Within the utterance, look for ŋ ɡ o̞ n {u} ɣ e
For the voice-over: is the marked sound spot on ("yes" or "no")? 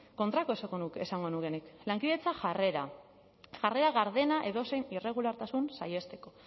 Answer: yes